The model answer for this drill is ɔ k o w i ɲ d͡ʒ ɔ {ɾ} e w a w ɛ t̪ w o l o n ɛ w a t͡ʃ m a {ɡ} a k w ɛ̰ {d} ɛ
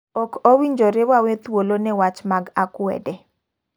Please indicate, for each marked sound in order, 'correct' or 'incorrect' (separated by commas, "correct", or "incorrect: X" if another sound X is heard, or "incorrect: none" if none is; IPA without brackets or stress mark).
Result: correct, correct, correct